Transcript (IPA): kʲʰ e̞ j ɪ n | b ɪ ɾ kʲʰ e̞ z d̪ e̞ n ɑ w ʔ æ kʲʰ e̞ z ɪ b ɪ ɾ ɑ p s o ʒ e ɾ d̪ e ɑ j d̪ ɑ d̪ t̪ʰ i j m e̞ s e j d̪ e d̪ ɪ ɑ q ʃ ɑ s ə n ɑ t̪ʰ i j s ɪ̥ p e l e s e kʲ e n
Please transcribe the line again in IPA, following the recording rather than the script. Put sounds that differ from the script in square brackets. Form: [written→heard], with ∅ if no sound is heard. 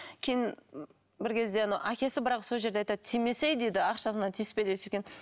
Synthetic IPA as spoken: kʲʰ e̞ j ɪ n | b ɪ ɾ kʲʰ e̞ z d̪ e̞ n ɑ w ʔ æ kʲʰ e̞ [z→s] ɪ b ɪ ɾ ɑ [p→q] s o ʒ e ɾ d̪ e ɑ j [d̪→t̪] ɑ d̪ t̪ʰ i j m e̞ s e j d̪ e d̪ ɪ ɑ q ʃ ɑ s ə n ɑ t̪ʰ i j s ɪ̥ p e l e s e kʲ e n